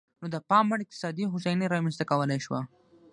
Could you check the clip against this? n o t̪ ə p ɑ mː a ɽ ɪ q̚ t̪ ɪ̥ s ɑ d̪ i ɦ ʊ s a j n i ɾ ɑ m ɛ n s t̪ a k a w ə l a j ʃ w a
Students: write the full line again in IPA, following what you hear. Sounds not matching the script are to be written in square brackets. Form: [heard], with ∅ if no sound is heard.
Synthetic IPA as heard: n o [d̪] ə p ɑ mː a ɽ ɪ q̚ t̪ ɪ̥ s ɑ d̪ i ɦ ʊ s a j n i ɾ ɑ m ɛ n s t̪ a k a w ə l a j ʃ w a

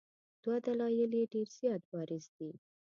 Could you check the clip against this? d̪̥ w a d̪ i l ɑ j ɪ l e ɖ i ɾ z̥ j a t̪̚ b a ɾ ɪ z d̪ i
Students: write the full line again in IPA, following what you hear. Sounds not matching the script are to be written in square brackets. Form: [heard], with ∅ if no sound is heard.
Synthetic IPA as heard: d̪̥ w a d̪ [a] l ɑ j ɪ l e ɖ [e] ɾ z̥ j [ɑ] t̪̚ b [ɑ] ɾ ɪ z d̪ i

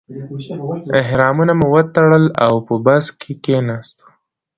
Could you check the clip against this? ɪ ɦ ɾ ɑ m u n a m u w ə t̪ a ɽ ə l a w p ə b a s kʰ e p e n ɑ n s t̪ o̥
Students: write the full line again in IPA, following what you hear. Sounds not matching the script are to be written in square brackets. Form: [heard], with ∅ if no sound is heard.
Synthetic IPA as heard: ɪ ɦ ɾ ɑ m u n a m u w ə t̪ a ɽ ə l a w p ə b a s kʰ e [k] e n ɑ [∅] s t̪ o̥

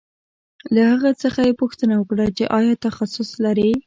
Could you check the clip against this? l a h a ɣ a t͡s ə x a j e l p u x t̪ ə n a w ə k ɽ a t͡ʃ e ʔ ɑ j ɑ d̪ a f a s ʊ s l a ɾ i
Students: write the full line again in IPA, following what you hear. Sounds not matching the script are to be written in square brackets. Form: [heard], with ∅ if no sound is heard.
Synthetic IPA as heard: l a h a ɣ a t͡s ə x a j e [∅] p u x t̪ ə n a w ə k ɽ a t͡ʃ e ʔ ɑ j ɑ [t̪] a [x] a s ʊ s l a ɾ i

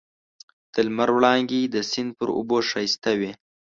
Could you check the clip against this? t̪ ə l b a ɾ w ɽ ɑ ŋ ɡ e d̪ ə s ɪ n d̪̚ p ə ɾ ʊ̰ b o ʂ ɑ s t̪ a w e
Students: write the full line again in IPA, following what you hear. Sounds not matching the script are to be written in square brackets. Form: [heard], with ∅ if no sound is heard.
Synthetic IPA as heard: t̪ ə l [m] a ɾ w ɽ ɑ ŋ ɡ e d̪ ə s ɪ n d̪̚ p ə ɾ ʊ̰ b o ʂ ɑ s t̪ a w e

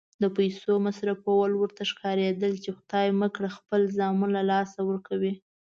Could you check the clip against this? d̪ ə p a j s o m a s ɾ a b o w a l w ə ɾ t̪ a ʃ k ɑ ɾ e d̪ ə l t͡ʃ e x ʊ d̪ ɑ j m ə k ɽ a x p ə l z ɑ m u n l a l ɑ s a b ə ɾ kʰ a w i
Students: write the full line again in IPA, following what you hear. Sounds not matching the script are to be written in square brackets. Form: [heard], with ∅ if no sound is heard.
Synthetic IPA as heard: d̪ ə p a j s o m a s ɾ a [p] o w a l w ə ɾ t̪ a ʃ k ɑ ɾ e d̪ ə l t͡ʃ e x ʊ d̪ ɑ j m ə k ɽ a x p ə l z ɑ m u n l a l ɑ s a [w] ə ɾ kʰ a w i

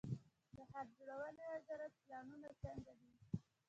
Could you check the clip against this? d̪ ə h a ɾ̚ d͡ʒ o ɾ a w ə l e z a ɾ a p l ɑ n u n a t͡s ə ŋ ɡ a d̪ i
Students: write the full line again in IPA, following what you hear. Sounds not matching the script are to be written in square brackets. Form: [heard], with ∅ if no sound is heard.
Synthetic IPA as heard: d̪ ə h a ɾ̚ d͡ʒ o [ɽ] a w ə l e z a ɾ a p l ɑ n u n a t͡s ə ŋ ɡ a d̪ i

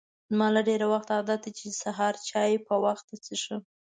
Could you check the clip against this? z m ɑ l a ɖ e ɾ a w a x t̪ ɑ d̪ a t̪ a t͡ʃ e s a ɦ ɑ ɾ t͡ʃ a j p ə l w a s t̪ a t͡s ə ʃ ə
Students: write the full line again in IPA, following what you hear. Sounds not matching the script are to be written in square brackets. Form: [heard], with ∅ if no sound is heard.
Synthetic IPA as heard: z m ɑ l a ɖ e ɾ a w a x t̪ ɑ d̪ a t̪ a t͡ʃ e s a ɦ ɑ ɾ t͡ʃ [ɑ] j p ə [∅] w a [x] t̪ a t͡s ə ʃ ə

